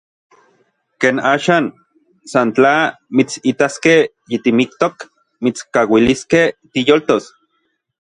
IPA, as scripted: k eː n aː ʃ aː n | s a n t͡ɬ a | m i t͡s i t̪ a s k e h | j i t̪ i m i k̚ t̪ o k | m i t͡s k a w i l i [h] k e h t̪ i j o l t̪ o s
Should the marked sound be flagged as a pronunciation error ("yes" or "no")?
yes